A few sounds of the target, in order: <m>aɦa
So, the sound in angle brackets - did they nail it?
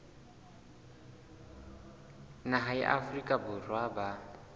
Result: no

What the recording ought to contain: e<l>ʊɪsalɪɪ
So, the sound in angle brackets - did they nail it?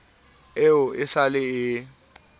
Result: no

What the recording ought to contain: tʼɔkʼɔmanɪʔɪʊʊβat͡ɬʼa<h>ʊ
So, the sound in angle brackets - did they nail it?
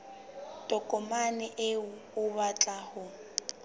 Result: yes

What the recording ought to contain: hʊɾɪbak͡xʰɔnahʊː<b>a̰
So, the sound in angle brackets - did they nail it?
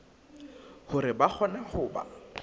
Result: yes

